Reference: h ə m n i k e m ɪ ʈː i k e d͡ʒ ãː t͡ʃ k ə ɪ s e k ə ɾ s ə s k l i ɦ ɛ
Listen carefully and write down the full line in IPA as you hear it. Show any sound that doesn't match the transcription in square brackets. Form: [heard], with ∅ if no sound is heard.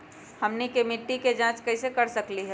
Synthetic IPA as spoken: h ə m n i k e m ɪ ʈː i k e d͡ʒ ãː t͡ʃ k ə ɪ s e k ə ɾ s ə [∅] k l i ɦ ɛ